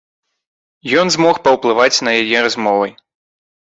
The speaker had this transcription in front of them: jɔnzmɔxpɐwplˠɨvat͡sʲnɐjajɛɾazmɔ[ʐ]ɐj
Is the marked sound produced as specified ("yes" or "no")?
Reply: no